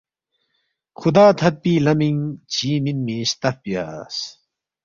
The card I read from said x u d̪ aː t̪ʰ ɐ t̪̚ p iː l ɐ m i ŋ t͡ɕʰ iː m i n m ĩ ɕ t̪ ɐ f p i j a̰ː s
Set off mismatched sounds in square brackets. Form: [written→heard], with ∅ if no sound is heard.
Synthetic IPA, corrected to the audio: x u d̪ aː t̪ʰ ɐ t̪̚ p iː l ɐ m i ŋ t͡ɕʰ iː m i n m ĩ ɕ t̪ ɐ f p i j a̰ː s